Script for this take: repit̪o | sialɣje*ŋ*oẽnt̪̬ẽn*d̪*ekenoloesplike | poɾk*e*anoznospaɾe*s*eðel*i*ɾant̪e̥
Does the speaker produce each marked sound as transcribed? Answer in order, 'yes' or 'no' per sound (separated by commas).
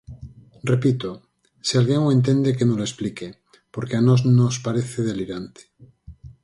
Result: yes, yes, yes, no, yes